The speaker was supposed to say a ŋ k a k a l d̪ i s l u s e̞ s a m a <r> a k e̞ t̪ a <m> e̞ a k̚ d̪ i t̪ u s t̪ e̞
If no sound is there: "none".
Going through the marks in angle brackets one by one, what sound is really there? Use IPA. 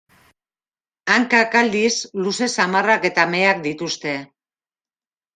r, m

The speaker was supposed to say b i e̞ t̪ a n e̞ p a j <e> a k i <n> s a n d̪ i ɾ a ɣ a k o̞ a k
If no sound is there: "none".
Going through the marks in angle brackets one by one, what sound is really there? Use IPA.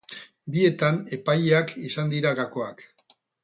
e, none

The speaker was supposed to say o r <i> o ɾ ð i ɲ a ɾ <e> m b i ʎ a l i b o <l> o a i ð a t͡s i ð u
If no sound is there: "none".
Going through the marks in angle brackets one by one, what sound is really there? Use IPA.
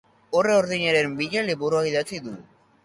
e, e, ɾ

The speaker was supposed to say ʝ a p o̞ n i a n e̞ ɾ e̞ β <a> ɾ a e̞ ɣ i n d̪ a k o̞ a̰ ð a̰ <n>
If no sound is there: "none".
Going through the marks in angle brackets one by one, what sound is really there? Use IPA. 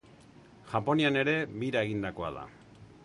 i, none

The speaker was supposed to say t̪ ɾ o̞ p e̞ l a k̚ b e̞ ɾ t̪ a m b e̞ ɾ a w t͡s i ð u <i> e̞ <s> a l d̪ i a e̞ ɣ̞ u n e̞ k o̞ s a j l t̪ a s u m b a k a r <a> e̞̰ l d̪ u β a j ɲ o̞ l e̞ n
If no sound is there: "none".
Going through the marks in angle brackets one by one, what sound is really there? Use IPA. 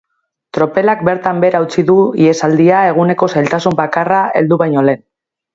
i, s, a

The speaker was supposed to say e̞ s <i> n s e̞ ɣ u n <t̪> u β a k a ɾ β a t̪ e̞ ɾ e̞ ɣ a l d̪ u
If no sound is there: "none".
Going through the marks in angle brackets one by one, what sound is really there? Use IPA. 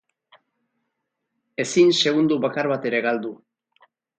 i, d̪

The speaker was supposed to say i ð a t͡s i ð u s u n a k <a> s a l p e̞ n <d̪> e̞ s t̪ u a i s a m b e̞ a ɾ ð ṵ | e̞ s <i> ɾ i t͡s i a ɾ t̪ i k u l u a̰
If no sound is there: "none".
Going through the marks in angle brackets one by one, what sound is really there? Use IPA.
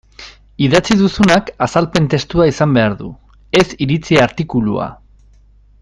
a, t̪, i

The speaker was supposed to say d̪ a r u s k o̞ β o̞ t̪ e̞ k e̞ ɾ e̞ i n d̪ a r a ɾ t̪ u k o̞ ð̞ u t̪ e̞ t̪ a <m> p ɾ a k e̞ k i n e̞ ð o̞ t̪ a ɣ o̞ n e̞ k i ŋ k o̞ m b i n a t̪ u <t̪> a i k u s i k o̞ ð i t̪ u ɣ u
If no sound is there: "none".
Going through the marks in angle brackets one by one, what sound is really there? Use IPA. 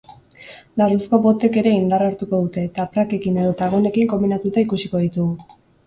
none, t̪

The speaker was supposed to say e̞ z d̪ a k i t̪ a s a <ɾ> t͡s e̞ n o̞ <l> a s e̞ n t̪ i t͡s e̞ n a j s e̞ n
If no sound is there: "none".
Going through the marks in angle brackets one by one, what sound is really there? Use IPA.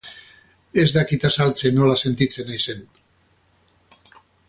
l, l

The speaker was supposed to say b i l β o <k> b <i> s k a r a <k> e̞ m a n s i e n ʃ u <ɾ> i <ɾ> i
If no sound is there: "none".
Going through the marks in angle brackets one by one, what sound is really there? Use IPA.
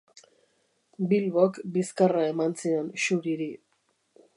k, i, none, ɾ, ɾ

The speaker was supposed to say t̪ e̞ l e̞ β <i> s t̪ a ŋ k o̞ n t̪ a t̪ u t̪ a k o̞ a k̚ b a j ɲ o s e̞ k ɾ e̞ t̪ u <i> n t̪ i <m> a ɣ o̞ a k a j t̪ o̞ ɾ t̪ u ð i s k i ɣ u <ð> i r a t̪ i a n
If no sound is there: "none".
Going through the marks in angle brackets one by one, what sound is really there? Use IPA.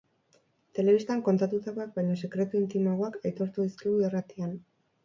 i, i, m, none

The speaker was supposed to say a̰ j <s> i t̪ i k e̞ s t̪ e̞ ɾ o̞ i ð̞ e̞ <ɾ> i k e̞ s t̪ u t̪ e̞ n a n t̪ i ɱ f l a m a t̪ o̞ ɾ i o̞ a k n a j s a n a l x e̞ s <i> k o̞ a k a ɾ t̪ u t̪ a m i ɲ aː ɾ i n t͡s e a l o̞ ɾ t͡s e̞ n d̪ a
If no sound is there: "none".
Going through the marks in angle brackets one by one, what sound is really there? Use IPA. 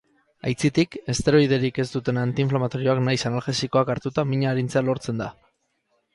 t͡s, ɾ, i

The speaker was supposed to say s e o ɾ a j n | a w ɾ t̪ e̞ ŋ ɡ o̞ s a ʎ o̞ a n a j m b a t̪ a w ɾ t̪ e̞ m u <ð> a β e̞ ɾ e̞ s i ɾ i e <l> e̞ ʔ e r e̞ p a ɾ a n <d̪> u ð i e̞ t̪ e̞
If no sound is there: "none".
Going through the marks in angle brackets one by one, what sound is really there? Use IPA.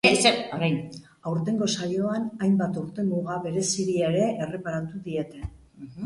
ɣ, ɾ, t̪

